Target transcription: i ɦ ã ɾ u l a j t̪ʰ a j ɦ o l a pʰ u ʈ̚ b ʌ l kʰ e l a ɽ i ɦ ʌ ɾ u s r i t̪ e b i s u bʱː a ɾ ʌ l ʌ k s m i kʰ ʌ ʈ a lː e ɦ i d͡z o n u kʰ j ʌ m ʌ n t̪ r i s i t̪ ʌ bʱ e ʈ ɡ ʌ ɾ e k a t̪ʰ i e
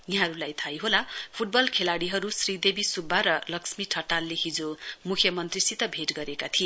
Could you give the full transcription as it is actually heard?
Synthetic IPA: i ɦ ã ɾ u l a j t̪ʰ a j ɦ o l a pʰ u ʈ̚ b ʌ l kʰ e l a ɽ i ɦ ʌ ɾ u s r i d̪ e b i s u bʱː a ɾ ʌ l ʌ k s m i ʈʰ ʌ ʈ a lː e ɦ i d͡z o m u kʰ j ʌ m ʌ n t̪ r i s i t̪ ʌ bʱ e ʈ ɡ ʌ ɾ e k a t̪ʰ i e